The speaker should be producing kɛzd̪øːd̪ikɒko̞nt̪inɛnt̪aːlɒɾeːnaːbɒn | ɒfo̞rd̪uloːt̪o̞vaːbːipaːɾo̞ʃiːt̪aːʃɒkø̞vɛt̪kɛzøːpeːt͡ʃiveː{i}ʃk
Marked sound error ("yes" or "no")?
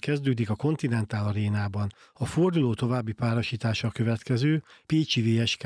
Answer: yes